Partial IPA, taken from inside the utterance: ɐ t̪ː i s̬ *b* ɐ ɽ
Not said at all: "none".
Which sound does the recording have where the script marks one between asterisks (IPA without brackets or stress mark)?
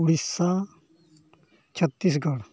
ɡ